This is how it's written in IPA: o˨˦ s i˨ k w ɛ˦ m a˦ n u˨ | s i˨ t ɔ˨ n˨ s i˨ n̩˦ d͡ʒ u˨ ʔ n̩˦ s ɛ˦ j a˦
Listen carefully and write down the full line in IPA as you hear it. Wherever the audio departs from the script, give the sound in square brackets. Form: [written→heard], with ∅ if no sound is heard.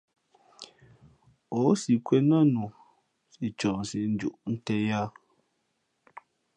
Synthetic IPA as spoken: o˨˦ s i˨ k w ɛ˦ [m→n] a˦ n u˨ | s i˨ [t→t͡ʃ] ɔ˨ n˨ s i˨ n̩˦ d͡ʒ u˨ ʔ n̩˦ [s→t] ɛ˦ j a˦